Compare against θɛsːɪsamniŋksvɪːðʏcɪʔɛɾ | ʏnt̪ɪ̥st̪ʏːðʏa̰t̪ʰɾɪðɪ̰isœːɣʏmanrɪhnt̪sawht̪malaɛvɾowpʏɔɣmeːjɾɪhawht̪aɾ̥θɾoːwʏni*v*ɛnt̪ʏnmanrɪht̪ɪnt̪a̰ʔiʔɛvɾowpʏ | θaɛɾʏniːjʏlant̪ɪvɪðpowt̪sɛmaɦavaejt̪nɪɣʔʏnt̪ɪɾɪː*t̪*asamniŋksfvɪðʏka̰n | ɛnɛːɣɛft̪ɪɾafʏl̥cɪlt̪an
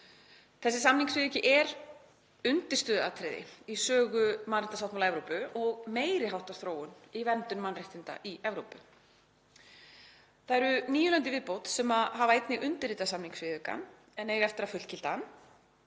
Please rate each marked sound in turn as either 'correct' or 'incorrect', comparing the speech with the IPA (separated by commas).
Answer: correct, correct